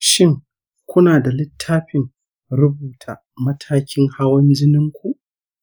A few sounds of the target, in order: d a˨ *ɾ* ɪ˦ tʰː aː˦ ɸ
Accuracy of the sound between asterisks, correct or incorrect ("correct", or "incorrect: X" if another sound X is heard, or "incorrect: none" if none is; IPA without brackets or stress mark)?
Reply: incorrect: l